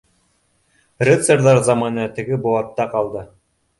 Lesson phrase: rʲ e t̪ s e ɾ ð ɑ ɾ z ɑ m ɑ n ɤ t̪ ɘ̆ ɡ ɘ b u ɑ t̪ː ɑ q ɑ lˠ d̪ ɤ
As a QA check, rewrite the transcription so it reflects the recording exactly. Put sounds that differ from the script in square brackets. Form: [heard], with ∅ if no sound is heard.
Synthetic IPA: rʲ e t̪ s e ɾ ð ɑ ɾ z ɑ m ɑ n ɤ t̪ ɘ̆ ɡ ɘ b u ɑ t̪ː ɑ q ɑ lˠ d̪ ɤ